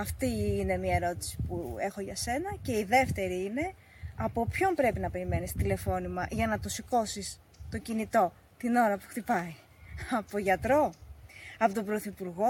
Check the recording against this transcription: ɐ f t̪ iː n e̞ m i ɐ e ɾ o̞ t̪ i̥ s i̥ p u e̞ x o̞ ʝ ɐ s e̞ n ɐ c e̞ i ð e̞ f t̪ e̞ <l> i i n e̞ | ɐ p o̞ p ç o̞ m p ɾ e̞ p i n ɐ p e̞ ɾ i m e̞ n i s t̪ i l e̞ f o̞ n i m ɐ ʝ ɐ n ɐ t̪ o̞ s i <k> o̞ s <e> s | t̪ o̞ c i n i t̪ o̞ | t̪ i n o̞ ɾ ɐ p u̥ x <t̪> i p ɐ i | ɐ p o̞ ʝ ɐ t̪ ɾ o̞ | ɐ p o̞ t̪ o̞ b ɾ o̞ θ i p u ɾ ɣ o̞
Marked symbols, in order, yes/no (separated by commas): no, yes, no, yes